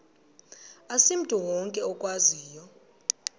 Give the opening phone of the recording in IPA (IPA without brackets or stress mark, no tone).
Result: a